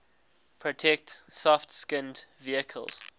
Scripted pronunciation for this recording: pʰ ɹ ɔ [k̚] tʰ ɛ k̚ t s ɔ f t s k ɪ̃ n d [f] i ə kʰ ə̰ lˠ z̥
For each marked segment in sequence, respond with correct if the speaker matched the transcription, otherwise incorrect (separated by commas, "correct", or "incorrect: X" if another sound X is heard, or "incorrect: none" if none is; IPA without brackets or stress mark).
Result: incorrect: none, incorrect: v